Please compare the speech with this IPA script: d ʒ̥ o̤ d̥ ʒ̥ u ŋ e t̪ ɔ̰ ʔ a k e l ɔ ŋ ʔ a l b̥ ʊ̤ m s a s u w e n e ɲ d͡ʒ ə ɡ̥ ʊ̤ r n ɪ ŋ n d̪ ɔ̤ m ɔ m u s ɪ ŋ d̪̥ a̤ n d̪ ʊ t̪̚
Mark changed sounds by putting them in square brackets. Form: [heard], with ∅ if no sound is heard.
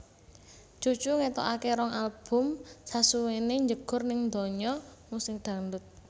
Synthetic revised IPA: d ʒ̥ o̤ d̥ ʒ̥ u ŋ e t̪ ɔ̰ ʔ a k e [ɾ] ɔ ŋ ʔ a l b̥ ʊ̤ m s a s u w e n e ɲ d͡ʒ ə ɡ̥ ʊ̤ r n ɪ ŋ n d̪ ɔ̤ [ɲ] ɔ m u s ɪ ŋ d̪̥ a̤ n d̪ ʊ t̪̚